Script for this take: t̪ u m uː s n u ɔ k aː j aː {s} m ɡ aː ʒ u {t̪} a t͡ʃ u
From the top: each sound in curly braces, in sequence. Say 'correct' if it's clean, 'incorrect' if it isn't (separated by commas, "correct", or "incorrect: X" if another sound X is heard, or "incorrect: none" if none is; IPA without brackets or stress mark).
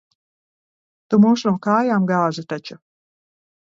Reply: incorrect: none, correct